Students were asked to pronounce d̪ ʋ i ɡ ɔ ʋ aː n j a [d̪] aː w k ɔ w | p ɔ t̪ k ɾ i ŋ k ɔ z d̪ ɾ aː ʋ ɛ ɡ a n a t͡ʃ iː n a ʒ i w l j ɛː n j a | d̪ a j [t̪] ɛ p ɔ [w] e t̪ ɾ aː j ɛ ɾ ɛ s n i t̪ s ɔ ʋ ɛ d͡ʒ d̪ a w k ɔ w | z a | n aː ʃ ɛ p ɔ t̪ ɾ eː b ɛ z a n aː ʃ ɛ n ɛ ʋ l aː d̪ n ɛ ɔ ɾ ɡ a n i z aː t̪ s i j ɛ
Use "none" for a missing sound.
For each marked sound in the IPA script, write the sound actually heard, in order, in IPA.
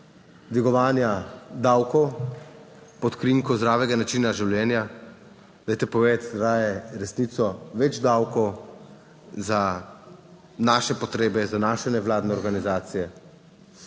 d̪, t̪, ʋ

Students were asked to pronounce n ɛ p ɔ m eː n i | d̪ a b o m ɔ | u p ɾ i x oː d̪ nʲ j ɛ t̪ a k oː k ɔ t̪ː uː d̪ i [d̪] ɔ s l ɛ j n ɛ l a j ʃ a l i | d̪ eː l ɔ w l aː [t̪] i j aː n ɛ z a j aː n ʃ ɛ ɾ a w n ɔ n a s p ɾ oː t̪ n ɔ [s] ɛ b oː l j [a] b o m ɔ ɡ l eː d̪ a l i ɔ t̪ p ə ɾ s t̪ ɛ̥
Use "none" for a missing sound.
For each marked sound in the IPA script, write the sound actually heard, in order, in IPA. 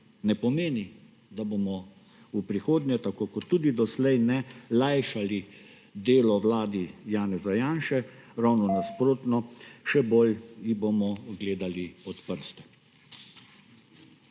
d̪, d̪, ʃ, i

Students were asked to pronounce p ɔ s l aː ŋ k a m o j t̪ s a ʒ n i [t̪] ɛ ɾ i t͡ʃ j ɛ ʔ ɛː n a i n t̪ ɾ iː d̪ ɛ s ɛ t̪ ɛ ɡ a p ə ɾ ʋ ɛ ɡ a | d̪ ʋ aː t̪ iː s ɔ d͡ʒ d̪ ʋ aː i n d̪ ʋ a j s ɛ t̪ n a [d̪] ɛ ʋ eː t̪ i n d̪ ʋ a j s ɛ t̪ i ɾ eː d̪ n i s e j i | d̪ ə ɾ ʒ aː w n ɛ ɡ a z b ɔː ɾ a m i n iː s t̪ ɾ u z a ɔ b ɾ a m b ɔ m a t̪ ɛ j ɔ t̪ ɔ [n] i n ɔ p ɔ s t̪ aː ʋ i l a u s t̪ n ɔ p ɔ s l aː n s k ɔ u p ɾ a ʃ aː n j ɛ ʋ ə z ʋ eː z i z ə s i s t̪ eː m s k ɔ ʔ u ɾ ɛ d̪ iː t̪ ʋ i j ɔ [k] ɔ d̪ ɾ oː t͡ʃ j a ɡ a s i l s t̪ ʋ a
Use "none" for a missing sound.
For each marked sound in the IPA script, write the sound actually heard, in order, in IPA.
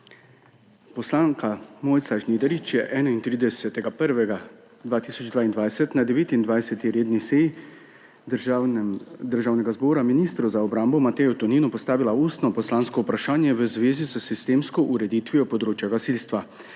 d̪, d̪, n, p

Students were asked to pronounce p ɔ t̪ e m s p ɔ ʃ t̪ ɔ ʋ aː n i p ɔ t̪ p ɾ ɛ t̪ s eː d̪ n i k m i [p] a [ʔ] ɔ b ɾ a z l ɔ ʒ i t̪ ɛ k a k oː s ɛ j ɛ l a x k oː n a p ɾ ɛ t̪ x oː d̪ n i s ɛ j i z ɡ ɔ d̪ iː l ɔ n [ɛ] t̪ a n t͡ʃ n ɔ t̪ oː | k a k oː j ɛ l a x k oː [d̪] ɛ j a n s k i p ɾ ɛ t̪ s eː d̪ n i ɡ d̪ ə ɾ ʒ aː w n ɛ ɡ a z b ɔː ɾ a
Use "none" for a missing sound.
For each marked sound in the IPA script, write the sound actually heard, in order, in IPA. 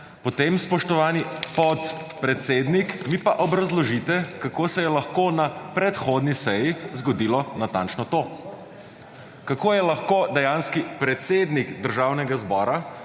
p, ʔ, a, d̪

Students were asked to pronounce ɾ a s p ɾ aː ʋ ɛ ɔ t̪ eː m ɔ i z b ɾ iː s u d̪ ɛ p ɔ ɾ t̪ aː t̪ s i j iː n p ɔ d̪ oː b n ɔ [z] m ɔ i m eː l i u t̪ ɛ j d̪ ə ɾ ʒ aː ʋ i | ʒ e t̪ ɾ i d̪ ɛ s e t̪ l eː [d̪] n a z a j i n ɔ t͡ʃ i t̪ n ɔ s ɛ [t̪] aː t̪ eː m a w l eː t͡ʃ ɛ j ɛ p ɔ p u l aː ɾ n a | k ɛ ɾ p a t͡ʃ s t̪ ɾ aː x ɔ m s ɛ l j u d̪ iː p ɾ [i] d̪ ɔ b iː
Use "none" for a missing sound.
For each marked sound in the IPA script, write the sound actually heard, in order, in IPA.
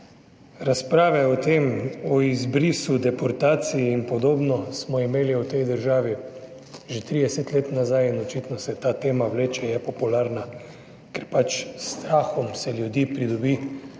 s, t̪, t̪, i

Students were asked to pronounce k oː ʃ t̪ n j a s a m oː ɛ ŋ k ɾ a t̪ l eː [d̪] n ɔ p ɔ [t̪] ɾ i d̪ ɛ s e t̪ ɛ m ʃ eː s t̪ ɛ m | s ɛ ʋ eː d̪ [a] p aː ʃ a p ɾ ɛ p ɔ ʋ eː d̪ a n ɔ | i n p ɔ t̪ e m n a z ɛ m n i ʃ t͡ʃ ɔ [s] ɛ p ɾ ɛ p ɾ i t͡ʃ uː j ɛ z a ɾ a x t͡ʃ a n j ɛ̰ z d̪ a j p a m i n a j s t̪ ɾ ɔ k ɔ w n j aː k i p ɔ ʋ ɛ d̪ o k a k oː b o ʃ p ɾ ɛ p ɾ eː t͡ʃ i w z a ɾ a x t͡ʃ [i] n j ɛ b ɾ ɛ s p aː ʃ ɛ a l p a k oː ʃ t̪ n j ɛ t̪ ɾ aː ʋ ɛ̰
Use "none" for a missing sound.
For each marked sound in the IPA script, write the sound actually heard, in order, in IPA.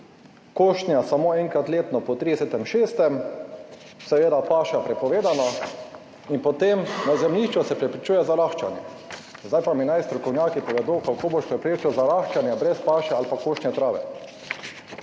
t̪, t̪, a, s, a

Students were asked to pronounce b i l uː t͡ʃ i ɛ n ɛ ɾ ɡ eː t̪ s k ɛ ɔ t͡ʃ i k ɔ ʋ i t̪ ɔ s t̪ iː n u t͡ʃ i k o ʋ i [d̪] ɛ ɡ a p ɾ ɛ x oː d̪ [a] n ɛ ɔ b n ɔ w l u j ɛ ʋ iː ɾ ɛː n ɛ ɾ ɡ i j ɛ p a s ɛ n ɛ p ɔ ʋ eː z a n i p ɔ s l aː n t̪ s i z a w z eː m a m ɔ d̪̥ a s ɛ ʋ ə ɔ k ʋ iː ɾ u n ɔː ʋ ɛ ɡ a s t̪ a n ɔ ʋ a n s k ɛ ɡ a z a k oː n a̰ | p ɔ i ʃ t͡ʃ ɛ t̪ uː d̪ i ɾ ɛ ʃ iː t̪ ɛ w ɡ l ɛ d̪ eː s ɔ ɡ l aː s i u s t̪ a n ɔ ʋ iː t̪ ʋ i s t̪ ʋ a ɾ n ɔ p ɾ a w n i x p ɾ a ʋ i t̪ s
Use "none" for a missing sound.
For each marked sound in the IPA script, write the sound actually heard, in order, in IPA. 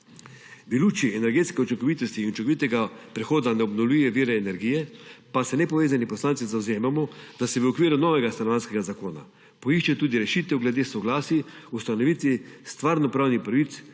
t̪, a

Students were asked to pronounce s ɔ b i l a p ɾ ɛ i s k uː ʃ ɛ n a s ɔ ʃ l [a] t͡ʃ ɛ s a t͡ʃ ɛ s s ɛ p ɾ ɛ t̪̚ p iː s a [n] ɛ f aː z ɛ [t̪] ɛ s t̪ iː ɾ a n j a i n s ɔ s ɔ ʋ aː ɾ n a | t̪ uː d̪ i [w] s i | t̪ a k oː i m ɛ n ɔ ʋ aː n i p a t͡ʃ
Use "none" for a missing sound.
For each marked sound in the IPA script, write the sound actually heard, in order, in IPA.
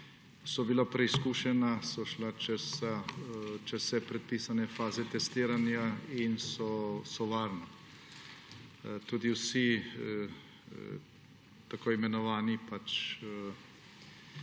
a, n, t̪, w

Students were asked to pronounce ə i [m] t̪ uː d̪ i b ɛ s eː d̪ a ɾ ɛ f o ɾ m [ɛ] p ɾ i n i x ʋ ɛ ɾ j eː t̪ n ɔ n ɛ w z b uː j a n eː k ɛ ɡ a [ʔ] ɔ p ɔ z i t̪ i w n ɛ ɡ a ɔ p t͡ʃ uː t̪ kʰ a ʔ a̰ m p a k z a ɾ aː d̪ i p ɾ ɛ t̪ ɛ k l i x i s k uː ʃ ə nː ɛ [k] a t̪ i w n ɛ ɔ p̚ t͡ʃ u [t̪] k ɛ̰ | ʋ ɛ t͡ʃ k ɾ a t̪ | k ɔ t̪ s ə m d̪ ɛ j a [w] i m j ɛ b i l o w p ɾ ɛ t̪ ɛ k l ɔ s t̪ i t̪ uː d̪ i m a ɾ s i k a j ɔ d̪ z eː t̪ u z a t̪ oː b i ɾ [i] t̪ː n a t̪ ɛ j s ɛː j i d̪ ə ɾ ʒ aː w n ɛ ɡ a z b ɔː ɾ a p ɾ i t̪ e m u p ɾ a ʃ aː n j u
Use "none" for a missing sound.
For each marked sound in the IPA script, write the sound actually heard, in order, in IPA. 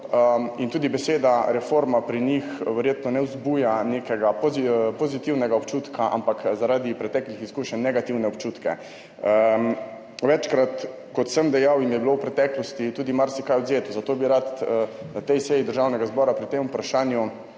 n, a, p, ɡ, t̪, w, a

